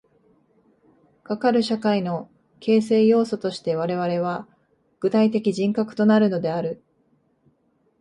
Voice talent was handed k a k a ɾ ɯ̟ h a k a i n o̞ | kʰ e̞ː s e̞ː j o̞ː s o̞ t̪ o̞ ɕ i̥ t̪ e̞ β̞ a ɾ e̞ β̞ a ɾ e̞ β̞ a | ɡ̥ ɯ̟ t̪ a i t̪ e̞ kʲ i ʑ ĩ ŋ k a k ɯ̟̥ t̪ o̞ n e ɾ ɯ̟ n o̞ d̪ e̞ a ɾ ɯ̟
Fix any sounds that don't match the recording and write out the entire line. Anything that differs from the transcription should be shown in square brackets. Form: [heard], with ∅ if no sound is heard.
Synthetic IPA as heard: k a k a ɾ ɯ̟ [ɕ] a k a i n o̞ | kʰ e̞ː s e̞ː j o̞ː s o̞ t̪ o̞ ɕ i̥ t̪ e̞ β̞ a ɾ e̞ β̞ a ɾ e̞ β̞ a | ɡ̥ ɯ̟ t̪ a i t̪ e̞ kʲ i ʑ ĩ ŋ k a k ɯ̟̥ t̪ o̞ n [a] ɾ ɯ̟ n o̞ d̪ e̞ a ɾ ɯ̟